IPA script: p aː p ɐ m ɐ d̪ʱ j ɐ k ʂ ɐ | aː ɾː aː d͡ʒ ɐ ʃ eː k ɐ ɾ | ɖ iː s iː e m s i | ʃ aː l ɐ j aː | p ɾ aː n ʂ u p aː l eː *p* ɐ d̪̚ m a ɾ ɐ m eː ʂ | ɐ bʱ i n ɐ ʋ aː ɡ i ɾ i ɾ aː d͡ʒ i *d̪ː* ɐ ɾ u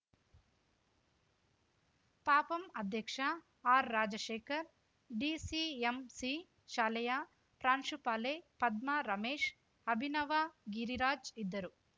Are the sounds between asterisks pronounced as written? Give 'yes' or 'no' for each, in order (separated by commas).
yes, yes